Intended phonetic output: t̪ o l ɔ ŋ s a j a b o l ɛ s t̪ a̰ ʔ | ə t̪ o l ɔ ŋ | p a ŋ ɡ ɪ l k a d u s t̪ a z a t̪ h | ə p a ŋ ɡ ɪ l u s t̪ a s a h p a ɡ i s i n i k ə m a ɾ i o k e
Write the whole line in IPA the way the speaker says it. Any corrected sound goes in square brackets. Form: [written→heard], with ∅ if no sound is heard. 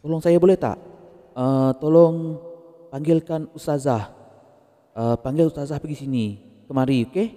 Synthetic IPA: t̪ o l ɔ ŋ s a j a b o l ɛ [s→h] t̪ a̰ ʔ | ə t̪ o l ɔ ŋ | p a ŋ ɡ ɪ l k a [d→n] u s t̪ a z a [t̪→∅] h | ə p a ŋ ɡ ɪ l u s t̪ a [s→z] a h p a ɡ i s i n i k ə m a ɾ i o k e